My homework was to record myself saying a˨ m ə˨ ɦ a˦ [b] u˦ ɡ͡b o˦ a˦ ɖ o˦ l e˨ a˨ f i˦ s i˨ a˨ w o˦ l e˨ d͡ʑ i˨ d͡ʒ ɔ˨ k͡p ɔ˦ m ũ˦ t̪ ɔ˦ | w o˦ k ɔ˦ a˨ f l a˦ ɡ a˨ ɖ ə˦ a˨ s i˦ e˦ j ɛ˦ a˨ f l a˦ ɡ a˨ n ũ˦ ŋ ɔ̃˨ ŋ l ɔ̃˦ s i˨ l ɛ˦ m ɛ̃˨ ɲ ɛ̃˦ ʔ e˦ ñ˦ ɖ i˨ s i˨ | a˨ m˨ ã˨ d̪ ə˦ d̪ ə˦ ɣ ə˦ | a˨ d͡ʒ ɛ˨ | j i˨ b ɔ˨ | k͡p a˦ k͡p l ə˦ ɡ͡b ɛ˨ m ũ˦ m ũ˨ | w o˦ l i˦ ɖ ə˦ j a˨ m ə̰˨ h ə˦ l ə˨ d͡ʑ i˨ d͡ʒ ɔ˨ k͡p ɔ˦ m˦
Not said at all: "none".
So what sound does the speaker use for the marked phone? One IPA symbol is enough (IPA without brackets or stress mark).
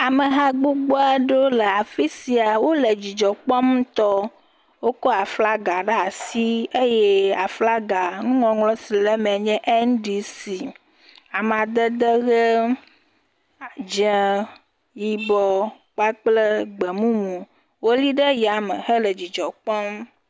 ɡ͡b